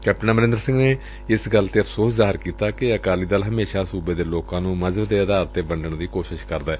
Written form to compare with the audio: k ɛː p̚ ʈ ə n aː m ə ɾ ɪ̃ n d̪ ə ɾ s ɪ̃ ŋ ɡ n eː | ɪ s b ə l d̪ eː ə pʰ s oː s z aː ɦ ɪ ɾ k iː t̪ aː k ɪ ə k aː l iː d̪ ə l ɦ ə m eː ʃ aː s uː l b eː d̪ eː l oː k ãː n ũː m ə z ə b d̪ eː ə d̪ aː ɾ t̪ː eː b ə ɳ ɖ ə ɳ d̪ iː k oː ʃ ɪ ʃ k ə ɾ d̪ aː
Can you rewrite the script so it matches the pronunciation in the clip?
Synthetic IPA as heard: k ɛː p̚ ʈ ə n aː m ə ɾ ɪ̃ n d̪ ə ɾ s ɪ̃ ŋ ɡ n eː | ɪ s ɡ ə l t̪ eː ə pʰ s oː s z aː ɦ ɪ ɾ k iː t̪ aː k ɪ ə k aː l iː d̪ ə l ɦ ə m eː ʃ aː s uː b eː d̪ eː l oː k ãː n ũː m ə z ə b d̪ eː ə d̪ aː ɾ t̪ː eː b ə ɳ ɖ ə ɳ d̪ iː k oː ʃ ɪ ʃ k ə ɾ d̪ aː